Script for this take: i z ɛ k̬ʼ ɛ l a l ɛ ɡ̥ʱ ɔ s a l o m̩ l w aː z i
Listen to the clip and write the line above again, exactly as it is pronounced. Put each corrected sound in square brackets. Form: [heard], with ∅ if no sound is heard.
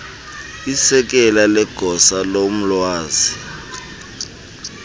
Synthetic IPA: i [s] ɛ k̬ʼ ɛ l a l ɛ ɡ̥ʱ ɔ s a l o m̩ l w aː z i